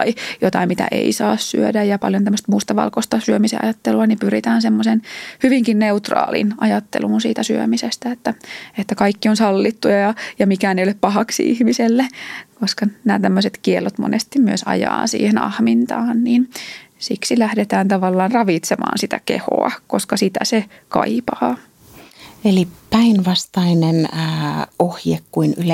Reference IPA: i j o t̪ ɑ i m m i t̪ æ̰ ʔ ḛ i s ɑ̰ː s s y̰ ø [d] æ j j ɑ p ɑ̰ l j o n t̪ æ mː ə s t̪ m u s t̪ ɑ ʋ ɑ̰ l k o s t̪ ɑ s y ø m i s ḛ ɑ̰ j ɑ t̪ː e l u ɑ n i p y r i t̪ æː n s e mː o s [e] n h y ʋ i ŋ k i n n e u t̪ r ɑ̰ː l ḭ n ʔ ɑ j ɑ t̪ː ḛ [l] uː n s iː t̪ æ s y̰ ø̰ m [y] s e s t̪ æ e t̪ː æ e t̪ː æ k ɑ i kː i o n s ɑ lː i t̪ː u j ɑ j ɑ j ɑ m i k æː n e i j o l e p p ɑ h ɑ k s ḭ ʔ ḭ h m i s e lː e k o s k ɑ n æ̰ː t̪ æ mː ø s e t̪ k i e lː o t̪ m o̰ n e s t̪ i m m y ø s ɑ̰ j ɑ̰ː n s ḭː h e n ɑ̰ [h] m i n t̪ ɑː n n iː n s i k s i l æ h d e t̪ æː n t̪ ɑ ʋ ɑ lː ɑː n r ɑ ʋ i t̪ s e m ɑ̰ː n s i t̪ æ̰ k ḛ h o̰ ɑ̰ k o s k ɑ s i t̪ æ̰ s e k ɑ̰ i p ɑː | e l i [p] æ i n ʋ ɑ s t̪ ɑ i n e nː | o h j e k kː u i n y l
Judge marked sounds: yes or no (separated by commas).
yes, yes, yes, no, yes, yes